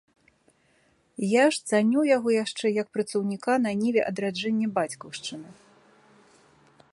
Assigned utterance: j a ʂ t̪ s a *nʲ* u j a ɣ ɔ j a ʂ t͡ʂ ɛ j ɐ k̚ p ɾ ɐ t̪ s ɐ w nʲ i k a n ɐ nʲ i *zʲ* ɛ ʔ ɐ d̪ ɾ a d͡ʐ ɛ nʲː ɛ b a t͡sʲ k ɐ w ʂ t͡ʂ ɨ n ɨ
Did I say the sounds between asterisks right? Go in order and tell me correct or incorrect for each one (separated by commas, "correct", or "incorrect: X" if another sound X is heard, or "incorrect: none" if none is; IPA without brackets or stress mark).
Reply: correct, incorrect: vʲ